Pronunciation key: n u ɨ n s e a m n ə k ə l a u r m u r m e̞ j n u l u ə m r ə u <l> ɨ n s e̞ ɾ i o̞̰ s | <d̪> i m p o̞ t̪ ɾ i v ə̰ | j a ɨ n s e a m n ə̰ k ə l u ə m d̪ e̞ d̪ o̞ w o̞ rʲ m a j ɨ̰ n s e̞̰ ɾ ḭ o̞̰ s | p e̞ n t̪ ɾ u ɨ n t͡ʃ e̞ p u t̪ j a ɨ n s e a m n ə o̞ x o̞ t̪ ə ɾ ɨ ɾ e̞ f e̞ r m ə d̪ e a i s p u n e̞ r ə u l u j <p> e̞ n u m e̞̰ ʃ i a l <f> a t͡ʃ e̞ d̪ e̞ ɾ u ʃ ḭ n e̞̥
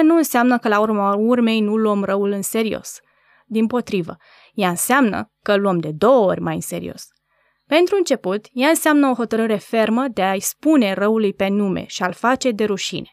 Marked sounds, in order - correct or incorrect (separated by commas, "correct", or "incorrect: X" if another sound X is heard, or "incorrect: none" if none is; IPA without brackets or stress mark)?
correct, correct, correct, correct